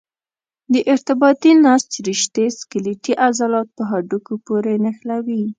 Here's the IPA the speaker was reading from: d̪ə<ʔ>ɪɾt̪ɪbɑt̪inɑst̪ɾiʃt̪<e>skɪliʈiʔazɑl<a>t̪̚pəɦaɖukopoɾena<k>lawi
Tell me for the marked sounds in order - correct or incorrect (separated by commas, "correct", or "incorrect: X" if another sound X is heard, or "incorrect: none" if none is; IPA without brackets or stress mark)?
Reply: correct, correct, incorrect: ɑ, incorrect: x